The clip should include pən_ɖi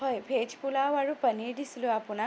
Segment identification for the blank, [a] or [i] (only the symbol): i